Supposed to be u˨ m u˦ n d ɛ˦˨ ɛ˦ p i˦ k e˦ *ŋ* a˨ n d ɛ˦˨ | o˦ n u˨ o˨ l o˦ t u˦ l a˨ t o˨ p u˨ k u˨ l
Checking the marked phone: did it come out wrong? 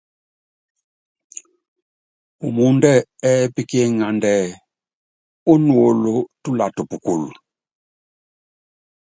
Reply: no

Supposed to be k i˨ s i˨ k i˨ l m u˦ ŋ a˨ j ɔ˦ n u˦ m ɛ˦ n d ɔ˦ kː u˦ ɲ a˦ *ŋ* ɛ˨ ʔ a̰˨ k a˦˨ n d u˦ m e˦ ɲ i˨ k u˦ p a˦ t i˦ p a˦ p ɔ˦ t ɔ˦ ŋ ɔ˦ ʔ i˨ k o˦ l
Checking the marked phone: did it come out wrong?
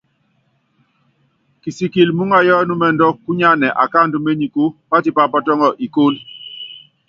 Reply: yes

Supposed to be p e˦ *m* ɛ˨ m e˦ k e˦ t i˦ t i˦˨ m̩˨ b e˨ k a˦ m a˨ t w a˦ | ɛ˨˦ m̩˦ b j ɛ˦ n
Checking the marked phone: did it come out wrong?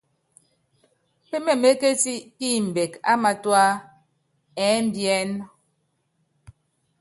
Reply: no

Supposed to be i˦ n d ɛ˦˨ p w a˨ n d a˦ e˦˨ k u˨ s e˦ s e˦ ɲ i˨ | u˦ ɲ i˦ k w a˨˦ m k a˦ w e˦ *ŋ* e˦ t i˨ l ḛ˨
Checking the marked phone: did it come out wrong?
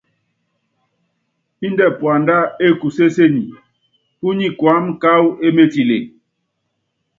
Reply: yes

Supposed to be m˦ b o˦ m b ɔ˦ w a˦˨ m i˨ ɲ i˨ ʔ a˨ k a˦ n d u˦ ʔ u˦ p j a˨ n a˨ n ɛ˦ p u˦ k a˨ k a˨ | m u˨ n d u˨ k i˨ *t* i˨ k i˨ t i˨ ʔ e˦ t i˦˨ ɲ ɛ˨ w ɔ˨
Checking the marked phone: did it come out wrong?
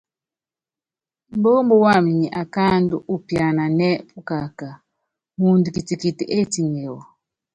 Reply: no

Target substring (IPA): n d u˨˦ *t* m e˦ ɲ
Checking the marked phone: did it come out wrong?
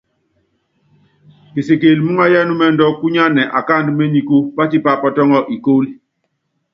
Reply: yes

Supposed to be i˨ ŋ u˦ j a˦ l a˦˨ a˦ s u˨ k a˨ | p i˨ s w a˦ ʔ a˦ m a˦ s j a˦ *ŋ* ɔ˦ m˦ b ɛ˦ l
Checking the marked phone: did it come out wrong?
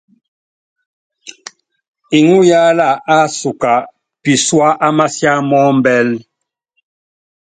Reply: yes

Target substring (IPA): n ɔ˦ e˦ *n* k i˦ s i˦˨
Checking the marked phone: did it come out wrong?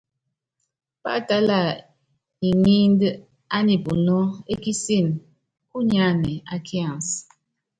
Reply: yes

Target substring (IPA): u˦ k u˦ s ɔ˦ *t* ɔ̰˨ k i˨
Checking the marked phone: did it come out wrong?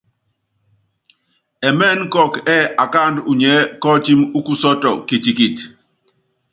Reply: no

